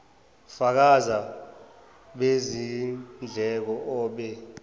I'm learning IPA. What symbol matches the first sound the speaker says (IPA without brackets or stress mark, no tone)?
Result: f